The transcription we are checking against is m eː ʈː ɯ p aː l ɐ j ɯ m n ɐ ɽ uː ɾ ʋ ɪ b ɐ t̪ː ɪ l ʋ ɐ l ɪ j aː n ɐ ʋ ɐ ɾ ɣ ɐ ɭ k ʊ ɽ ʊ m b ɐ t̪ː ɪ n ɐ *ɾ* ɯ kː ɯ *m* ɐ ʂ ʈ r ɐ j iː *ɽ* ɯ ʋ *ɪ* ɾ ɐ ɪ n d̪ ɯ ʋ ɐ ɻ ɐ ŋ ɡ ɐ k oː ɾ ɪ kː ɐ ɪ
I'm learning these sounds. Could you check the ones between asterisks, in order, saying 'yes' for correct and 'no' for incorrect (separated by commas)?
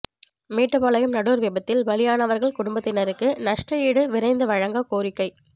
yes, no, yes, yes